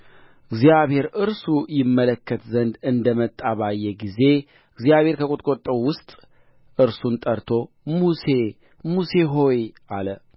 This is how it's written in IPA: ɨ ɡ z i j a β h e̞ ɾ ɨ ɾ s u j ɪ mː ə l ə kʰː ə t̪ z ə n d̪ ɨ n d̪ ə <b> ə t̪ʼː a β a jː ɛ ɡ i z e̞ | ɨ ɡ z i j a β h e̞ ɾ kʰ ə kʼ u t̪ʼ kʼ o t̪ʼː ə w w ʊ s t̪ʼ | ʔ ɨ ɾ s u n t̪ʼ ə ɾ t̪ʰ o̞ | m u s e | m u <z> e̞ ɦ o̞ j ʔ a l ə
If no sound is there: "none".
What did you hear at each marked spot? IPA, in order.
m, s

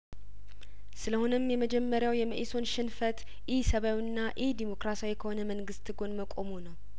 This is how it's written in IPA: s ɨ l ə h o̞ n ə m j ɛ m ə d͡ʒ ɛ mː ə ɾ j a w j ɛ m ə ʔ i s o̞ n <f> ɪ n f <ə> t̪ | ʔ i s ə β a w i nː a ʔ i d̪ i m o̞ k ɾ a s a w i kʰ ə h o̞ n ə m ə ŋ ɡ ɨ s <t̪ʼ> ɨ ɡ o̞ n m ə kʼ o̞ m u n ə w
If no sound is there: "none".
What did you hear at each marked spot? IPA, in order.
ʃ, ə, t̪

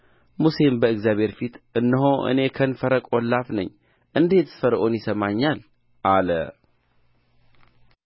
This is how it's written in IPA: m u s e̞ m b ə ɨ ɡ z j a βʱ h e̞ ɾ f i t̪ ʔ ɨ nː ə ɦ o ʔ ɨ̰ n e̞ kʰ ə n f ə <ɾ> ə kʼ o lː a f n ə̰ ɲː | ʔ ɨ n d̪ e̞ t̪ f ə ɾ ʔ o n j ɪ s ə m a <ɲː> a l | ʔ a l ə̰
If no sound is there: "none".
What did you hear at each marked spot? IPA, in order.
ɾ, ɲː

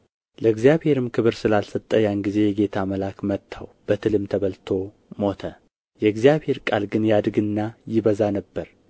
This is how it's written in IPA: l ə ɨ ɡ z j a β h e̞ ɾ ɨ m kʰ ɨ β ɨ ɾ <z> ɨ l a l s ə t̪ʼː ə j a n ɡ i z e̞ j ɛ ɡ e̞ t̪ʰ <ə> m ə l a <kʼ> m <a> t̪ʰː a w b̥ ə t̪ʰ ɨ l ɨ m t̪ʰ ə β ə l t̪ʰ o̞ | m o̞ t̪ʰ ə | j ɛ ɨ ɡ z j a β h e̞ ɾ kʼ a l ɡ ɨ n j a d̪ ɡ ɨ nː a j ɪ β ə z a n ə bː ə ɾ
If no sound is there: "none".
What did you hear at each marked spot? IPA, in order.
s, a, k, ə

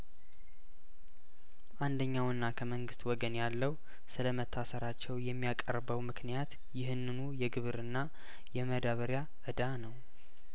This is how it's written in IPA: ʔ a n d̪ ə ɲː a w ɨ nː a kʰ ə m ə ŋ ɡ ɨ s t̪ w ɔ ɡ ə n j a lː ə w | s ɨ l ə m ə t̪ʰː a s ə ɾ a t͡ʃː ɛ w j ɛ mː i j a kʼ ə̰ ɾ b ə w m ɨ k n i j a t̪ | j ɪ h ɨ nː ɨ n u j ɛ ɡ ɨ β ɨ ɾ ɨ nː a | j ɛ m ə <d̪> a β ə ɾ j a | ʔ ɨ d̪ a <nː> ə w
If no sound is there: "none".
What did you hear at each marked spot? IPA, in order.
d̪, n

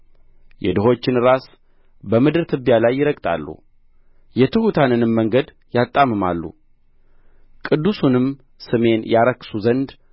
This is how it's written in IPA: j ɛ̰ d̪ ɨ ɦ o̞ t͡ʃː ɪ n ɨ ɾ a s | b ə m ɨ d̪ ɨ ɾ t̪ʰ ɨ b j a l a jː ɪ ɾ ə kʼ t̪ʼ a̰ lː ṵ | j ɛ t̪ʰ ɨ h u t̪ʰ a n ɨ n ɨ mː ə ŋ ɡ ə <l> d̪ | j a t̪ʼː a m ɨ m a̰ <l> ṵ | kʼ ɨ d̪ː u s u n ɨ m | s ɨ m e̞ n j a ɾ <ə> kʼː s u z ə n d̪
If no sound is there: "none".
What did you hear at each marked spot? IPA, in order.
none, lː, ə

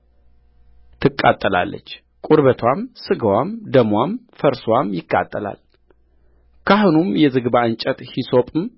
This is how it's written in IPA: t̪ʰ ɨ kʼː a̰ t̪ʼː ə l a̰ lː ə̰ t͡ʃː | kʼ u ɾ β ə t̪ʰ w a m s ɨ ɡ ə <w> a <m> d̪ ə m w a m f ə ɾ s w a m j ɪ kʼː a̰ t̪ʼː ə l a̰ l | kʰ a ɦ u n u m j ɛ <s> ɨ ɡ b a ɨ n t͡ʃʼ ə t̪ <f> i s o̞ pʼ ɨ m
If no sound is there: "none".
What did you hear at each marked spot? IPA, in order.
w, m, z, h

